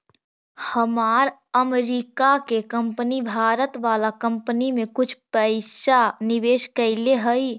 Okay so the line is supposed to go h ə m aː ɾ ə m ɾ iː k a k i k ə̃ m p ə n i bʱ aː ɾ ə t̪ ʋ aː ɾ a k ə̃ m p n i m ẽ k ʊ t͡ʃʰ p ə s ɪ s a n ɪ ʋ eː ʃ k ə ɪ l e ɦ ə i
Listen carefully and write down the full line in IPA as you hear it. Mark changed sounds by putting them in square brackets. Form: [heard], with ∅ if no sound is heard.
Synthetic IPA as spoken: h ə m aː ɾ ə m ɾ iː k a k [e] k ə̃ m p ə n i bʱ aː ɾ ə t̪ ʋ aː [l] a k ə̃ m p n i m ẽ k ʊ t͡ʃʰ p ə [∅] ɪ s a n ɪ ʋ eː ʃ k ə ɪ l e ɦ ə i